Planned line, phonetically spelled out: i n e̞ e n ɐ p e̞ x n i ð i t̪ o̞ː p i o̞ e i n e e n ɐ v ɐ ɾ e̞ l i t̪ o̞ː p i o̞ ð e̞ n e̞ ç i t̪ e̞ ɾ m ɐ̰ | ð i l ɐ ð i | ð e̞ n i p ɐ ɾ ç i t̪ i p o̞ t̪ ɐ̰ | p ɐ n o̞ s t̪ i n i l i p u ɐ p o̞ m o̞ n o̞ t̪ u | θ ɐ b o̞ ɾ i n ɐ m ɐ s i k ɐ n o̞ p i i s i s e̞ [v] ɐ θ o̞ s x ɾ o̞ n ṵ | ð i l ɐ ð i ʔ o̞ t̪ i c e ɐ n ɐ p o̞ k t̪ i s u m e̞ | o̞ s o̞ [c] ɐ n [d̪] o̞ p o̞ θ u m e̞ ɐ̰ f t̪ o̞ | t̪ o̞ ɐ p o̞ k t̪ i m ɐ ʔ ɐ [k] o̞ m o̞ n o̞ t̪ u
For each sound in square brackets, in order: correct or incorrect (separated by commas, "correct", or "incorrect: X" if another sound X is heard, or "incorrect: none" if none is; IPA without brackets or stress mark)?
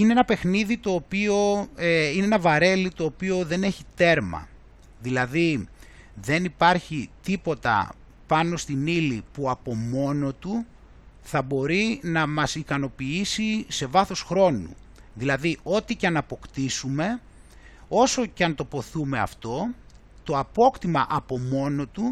correct, correct, incorrect: t̪, incorrect: p